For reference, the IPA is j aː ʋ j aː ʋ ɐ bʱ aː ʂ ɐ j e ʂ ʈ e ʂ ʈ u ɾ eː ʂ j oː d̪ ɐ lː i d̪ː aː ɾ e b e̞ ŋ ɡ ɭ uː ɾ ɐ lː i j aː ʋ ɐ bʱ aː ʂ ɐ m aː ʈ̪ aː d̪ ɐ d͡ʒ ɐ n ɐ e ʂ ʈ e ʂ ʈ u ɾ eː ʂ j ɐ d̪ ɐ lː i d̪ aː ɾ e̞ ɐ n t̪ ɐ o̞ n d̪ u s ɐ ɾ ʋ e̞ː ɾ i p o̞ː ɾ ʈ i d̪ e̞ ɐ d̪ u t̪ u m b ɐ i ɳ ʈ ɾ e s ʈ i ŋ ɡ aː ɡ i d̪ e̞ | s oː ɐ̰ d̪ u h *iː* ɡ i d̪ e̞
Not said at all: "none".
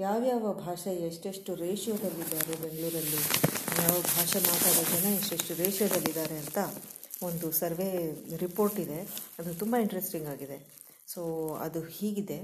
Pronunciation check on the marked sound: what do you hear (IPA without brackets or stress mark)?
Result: iː